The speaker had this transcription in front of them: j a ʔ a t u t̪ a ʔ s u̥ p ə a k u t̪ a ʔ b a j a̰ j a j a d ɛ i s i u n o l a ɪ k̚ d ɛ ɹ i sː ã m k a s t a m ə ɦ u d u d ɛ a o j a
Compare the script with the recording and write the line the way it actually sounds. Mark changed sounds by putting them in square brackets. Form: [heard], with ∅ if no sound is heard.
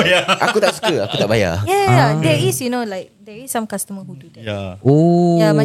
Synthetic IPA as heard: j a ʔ a [k] u t̪ a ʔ s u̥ [k] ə a k u t̪ a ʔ b a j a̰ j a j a d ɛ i s [j] u n o l a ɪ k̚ d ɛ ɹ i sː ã m k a s t [ə] m ə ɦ u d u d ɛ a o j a